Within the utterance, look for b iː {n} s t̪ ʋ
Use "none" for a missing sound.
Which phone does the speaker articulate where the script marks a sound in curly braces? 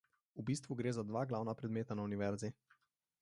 none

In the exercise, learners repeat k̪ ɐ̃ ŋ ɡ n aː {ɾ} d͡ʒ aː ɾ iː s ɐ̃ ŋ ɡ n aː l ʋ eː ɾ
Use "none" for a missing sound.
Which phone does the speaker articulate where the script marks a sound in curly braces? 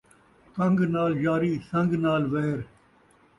l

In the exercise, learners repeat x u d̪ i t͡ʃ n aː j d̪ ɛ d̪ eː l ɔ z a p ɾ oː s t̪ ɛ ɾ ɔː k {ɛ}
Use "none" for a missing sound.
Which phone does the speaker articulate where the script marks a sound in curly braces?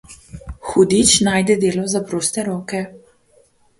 ɛ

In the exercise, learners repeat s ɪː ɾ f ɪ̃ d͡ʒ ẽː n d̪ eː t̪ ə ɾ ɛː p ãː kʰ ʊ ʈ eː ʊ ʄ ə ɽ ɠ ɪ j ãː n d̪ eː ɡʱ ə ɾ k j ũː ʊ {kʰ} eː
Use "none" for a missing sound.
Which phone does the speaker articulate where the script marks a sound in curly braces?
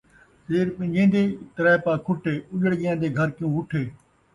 ʈʰ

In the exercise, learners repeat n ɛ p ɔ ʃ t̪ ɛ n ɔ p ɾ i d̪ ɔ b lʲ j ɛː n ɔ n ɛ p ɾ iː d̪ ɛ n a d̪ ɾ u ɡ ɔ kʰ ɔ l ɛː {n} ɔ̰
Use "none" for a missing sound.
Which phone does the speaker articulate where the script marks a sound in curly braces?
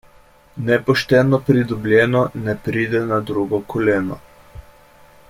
n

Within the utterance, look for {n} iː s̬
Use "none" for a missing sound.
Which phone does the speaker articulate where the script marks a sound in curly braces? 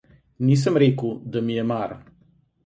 n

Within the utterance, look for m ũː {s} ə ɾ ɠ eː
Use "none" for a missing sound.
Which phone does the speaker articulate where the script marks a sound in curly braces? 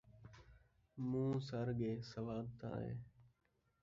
s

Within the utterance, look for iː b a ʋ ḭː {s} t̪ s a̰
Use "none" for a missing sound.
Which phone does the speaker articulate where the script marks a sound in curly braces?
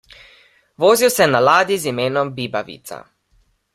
none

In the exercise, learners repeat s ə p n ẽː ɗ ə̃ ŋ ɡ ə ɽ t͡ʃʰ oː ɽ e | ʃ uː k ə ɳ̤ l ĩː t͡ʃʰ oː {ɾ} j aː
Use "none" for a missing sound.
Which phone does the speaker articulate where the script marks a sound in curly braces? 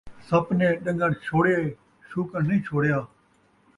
ɽ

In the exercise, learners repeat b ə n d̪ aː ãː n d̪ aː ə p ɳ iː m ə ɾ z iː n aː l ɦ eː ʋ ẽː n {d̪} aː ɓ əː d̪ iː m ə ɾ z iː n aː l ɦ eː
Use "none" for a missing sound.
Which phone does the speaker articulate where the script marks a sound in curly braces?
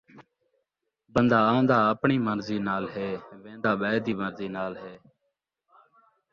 d̪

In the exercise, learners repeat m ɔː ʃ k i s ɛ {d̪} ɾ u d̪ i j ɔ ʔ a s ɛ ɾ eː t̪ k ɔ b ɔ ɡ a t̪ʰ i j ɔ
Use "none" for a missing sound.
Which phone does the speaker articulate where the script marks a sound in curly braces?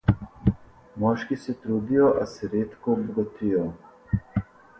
t̪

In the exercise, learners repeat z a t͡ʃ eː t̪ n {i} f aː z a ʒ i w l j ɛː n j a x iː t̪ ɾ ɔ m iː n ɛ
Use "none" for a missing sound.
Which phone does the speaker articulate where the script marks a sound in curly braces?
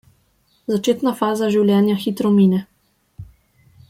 a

